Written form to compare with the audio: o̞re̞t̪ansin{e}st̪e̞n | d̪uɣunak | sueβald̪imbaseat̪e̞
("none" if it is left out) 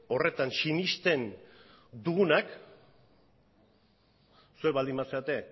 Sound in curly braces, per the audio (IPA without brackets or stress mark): i